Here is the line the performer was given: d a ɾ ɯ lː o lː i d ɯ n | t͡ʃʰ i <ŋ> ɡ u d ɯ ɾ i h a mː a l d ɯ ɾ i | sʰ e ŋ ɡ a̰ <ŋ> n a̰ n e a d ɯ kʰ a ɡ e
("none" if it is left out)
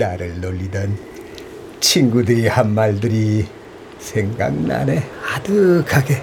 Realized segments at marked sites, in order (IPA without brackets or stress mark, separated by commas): ŋ, ŋ